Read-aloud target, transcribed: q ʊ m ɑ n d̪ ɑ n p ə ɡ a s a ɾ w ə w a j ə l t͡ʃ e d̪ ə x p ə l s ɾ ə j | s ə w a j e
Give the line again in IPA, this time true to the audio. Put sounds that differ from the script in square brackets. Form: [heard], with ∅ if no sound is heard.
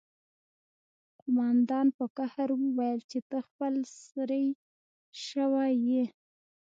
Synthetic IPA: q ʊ m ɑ n d̪ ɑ n p ə [k] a [h] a ɾ w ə w a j ə l t͡ʃ e [t̪] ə x p ə l s ɾ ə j | [ʃ] ə w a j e